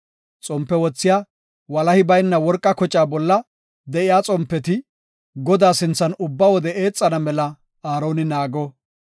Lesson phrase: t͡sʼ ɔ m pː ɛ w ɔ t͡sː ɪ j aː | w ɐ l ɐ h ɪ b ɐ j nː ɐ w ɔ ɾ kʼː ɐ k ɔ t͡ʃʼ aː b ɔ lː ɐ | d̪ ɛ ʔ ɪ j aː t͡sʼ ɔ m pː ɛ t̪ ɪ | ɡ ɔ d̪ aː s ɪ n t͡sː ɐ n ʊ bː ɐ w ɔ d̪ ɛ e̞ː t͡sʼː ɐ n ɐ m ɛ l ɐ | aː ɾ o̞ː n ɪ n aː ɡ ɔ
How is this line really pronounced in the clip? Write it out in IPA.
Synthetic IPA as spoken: t͡sʼ ɔ m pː ɛ w ɔ t͡sː ɪ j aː | w ɐ l ɐ h ɪ b ɐ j nː ɐ w ɔ ɾ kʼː ɐ k ɔ t͡ʃʼ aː b ɔ lː ɐ | d̪ ɛ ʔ ɪ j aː t͡sʼ ɔ m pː ɛ t̪ ɪ | ɡ ɔ d̪ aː s ɪ n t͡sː ɐ n ʊ bː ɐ w ɔ d̪ ɛ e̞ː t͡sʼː ɐ n ɐ m ɛ l ɐ | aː ɾ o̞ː n ɪ n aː ɡ ɔ